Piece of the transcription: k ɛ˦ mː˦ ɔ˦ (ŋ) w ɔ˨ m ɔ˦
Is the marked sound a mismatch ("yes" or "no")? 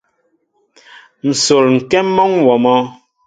no